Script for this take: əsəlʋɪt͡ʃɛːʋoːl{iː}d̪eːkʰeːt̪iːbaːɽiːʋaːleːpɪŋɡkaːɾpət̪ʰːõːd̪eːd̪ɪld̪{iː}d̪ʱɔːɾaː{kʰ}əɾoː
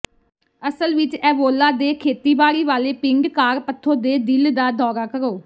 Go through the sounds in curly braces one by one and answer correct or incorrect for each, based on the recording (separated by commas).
incorrect, incorrect, incorrect